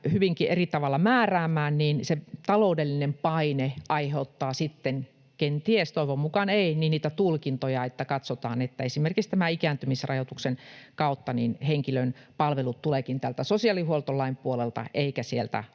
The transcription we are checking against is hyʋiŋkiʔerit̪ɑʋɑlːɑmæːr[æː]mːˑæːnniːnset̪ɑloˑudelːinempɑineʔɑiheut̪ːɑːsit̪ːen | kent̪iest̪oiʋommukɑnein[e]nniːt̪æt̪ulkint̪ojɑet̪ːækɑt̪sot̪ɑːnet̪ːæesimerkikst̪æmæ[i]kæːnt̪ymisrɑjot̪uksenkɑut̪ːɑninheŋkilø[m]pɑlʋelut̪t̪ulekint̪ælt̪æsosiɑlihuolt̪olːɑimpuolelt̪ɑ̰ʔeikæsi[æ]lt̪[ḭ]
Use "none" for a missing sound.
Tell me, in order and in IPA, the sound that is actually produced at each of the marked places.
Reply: æː, i, i, n, e, æ̰

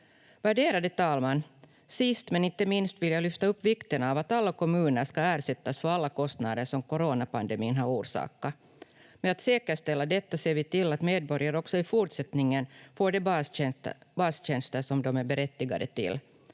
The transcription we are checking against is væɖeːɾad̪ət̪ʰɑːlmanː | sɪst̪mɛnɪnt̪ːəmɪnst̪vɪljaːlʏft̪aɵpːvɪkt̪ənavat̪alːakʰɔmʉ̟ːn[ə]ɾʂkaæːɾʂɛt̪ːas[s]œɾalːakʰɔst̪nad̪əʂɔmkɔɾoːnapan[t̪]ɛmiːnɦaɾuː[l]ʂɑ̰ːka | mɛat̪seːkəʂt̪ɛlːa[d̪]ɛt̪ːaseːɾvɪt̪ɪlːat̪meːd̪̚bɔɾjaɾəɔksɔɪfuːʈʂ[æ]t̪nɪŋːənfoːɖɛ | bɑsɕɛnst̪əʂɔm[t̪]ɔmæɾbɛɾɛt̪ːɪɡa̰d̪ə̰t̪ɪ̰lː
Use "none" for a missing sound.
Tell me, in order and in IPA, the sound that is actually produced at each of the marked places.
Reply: ə, f, d̪, ɾ, d̪, ɛ, d̪

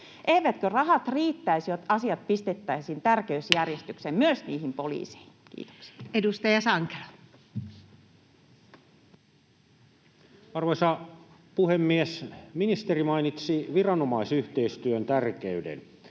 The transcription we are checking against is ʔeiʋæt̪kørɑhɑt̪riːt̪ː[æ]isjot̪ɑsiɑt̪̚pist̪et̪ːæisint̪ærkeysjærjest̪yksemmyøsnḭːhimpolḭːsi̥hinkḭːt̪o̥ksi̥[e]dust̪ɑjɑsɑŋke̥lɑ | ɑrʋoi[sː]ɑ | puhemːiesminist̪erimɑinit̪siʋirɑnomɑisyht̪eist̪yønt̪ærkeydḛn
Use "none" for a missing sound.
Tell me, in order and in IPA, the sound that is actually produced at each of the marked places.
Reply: æ, e, s

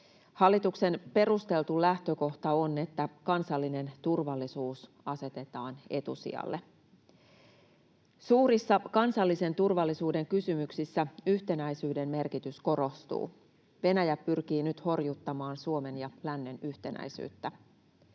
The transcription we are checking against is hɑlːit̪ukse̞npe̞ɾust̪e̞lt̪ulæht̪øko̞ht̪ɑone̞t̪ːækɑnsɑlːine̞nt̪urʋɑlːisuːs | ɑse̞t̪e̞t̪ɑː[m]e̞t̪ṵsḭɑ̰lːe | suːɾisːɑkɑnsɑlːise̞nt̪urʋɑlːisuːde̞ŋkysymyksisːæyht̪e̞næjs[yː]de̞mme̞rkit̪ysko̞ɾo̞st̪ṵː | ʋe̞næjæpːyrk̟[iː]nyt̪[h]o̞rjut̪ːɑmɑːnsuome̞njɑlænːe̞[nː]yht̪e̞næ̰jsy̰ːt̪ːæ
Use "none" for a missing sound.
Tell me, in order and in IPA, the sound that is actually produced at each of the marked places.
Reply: n, yː, iː, h, n

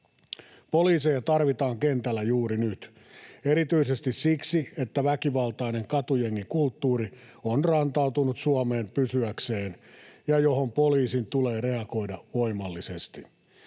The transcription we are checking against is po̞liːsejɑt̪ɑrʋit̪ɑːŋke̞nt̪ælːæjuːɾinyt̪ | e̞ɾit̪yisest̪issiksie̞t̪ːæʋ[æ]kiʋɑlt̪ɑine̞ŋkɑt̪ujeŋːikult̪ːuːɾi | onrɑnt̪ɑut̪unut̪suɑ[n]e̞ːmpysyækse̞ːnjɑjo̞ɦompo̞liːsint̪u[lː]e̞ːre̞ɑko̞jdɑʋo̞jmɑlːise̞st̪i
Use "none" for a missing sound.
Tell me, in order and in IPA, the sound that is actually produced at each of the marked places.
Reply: æ, m, l

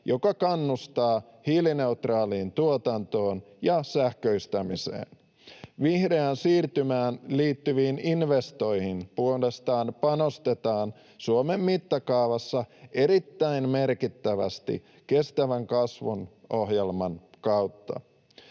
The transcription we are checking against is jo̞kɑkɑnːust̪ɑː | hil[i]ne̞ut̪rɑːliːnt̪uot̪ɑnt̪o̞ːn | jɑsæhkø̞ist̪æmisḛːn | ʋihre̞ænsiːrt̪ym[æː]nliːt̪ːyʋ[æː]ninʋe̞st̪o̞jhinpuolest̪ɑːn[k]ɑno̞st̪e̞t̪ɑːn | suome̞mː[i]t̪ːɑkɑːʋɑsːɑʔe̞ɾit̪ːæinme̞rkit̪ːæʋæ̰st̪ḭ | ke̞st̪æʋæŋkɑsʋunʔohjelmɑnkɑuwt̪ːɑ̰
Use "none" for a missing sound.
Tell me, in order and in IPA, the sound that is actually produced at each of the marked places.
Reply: i, æː, iː, p, i

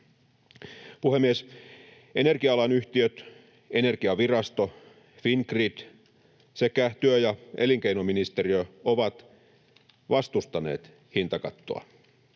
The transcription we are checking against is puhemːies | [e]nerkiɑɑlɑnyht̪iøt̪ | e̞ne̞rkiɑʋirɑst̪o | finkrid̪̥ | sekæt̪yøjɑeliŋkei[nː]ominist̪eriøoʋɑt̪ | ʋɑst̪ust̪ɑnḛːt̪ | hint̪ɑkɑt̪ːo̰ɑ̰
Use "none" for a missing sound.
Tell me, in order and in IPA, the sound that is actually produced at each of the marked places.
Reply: e, n

